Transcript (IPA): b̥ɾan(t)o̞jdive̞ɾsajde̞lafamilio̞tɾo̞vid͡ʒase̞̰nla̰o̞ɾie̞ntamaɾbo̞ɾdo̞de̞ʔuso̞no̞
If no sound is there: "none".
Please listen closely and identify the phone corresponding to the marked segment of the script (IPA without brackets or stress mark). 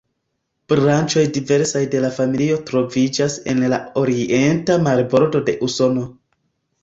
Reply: t͡ʃ